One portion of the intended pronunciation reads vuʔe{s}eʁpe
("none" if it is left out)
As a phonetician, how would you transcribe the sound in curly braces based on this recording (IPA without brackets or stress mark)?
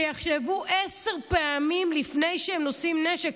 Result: s